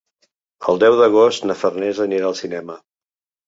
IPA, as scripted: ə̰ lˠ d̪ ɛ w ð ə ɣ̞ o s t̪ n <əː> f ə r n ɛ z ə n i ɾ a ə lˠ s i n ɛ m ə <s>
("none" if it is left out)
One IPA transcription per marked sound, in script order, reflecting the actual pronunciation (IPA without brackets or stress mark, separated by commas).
ə, none